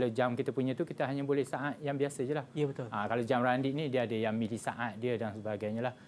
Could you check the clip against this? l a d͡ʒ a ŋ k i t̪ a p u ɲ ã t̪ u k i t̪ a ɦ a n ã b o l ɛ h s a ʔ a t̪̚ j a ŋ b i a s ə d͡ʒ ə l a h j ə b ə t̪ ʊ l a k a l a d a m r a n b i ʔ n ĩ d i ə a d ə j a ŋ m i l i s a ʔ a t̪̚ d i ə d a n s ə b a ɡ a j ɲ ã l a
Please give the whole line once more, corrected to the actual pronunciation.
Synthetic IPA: l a d͡ʒ a m k i t̪ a p u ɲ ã t̪ u k i t̪ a ɦ a ɲ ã b o l ɛ h s a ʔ a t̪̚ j a ŋ b i a s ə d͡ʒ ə l a h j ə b ə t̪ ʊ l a k a l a d͡ʒ a m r a n d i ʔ n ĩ d i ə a d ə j a ŋ m i l i s a ʔ a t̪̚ d i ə d a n s ə b a ɡ a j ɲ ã l a

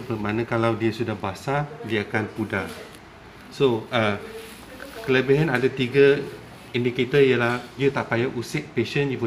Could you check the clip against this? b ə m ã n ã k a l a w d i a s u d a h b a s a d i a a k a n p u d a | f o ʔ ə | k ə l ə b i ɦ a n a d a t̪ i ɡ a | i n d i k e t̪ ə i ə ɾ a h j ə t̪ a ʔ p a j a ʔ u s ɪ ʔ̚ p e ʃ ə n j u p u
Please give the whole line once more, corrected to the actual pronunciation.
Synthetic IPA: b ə m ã n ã k a l a w d i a s u d a h b a s a d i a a k a n p u d a | s o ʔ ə | k ə l ə b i ɦ a n a d a t̪ i ɡ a | i n d i k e t̪ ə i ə l a h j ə t̪ a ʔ p a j a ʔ u s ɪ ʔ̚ p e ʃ ə n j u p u

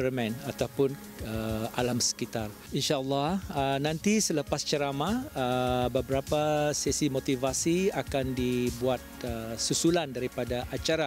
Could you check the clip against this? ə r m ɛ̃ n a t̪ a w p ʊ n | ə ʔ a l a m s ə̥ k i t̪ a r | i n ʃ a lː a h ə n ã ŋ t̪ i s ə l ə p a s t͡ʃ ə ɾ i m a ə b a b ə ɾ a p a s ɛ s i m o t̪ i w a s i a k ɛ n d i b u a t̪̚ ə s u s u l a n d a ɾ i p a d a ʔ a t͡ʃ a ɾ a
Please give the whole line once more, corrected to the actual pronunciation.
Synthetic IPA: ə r m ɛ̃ n a t̪ a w p ʊ n | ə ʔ a l a m s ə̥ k i t̪ a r | i n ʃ a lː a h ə n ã n t̪ i s ə l ə p a s t͡ʃ ə ɾ a m a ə b ə b ə ɾ a p a s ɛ s i m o t̪ i v a s i a k a n d i b u a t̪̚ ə s u s u l a n d a ɾ i p a d a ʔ a t͡ʃ a ɾ a

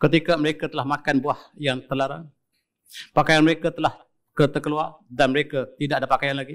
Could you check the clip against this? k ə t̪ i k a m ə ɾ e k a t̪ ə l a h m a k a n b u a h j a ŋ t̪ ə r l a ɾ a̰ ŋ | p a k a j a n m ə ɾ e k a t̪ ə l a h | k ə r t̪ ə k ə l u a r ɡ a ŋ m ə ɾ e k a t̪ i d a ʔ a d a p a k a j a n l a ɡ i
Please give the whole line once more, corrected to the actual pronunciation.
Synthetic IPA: k ə t̪ i k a m ə ɾ e k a t̪ ə l a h m a k a n b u a h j a ŋ t̪ ə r l a ɾ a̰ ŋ | p a k a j a n m ə ɾ e k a t̪ ə l a h | k ə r t̪ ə k ə l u a r d a n m ə ɾ e k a t̪ i d a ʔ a d a p a k a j a n l a ɡ i

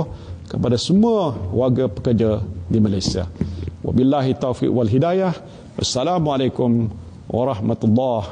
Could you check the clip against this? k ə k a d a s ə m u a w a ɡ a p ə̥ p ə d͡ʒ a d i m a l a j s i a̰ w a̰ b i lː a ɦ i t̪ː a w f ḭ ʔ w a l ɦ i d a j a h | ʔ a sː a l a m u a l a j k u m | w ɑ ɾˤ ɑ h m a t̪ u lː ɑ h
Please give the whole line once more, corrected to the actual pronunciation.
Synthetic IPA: k ə p a d a s ə m u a w a ɡ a p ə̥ k ə d͡ʒ a d i m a l a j s i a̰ w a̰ b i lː a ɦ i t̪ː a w f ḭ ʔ w a l ɦ i d a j a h | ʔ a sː a l a m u a l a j k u m | w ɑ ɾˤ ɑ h m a t̪ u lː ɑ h

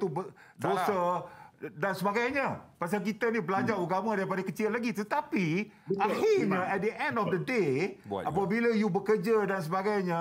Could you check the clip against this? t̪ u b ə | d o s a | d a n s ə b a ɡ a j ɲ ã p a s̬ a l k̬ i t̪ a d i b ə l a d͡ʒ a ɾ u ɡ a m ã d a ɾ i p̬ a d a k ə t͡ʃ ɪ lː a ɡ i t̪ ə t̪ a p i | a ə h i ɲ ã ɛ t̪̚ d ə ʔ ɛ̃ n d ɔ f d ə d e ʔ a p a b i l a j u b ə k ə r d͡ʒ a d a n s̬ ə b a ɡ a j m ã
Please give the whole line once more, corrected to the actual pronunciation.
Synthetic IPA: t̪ u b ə | d o s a | d a n s ə b a ɡ a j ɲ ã p a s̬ a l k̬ i t̪ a n i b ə l a d͡ʒ a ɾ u ɡ a m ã d a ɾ i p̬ a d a k ə t͡ʃ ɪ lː a ɡ i t̪ ə t̪ a p i | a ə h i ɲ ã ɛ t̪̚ d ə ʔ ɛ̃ n d ɔ f d ə d e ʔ a p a b i l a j u b ə k ə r d͡ʒ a d a n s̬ ə b a ɡ a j ɲ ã

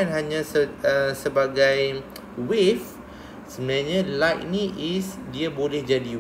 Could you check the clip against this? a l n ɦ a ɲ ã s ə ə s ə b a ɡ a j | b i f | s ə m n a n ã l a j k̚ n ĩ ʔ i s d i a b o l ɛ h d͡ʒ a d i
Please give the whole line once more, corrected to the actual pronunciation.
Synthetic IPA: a n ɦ a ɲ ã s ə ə s ə b a ɡ a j | w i f | s ə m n a ɲ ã l a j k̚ n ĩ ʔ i s d i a b o l ɛ h d͡ʒ a d i

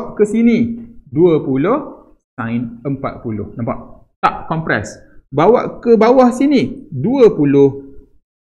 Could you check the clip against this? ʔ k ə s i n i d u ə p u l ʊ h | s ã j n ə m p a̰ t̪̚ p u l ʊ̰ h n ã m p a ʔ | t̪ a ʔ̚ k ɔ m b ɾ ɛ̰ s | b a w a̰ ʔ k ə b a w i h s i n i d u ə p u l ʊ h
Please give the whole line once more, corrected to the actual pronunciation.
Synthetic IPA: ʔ k ə s i n i d u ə p u l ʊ h | s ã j n ə m p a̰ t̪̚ p u l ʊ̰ h n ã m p a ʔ | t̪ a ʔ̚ k ɔ m p ɾ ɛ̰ s | b a w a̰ ʔ k ə b a w a h s i n i d u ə p u l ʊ h

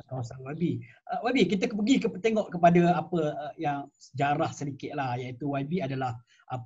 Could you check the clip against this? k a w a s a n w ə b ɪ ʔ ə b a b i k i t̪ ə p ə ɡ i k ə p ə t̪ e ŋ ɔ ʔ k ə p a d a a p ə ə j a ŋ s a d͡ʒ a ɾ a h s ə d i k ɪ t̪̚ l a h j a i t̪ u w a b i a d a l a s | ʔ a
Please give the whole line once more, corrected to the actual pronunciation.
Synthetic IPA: k a w a s a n w a b i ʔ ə w a b i k i t̪ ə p ə ɡ i k ə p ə t̪ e ŋ ɔ ʔ k ə p a d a a p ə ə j a ŋ s ə d͡ʒ a ɾ a h s ə d i k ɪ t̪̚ l a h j a i t̪ u w a b i a d a l a h | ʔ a

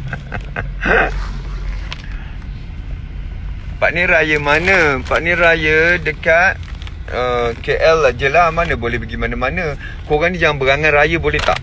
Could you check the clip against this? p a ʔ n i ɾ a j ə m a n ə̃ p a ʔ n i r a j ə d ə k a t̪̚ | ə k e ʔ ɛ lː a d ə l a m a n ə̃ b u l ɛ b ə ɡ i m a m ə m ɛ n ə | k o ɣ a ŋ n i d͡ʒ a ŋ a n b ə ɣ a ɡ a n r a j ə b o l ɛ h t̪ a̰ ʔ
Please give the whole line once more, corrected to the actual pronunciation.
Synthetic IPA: p a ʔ n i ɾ a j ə m a n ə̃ p a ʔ n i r a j ə d ə k a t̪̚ | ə k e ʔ ɛ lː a d͡ʒ ə l a m a n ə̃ b o l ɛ b ə ɡ i m a n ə m a n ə | k o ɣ a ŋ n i d͡ʒ a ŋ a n b ə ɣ a ŋ a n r a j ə b o l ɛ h t̪ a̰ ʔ

